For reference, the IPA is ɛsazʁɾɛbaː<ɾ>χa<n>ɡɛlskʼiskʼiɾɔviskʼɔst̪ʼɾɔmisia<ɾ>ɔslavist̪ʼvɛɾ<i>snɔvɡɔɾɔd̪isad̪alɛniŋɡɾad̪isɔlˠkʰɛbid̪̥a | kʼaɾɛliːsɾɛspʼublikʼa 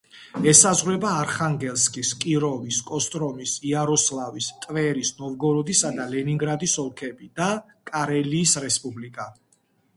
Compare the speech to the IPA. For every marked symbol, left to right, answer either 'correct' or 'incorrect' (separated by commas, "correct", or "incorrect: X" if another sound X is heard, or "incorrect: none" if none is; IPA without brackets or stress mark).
correct, incorrect: ŋ, correct, correct